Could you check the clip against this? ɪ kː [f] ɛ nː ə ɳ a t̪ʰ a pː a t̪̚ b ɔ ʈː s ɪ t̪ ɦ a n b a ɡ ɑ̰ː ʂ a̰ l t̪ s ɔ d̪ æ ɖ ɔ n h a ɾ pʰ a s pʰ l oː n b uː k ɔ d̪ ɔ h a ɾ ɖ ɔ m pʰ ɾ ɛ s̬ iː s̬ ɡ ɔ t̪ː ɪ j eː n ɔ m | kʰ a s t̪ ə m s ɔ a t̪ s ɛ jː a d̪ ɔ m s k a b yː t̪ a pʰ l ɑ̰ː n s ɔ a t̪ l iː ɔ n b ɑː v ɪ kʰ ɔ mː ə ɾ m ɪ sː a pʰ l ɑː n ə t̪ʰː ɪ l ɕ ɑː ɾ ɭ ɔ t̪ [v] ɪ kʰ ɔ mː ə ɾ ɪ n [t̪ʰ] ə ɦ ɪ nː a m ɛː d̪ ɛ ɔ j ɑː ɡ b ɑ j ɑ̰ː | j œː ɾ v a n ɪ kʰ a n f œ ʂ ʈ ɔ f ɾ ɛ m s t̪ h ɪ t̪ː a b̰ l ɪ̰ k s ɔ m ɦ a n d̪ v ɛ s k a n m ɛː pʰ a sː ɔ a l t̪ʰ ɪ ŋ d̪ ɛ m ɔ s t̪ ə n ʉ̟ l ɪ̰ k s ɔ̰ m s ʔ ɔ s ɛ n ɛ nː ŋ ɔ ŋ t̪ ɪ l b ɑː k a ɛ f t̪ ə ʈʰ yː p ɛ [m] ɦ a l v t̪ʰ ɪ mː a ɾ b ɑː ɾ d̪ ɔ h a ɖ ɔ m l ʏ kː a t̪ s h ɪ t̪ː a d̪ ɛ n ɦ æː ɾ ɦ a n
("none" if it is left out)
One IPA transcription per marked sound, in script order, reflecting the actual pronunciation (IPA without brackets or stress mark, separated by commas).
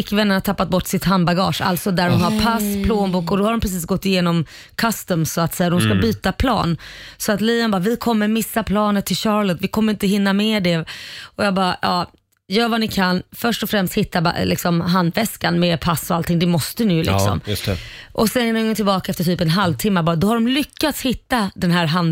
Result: v, v, t̪, n